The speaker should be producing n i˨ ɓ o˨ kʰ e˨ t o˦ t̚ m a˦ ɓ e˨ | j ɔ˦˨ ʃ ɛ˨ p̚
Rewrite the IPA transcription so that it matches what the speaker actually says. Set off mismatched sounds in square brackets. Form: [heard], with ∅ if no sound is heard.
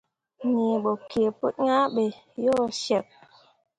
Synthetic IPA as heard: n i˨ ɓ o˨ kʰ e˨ [p] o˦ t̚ [ɲ] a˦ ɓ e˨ | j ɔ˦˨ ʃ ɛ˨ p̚